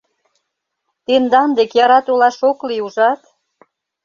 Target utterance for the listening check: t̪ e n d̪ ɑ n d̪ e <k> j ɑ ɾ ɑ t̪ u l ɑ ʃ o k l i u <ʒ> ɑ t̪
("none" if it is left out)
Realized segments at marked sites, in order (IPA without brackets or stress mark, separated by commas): k, ʒ